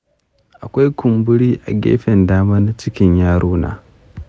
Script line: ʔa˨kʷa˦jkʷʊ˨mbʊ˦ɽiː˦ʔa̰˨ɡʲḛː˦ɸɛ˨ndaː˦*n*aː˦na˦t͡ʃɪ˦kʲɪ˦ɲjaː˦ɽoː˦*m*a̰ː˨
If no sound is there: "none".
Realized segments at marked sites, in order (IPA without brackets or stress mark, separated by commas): m, n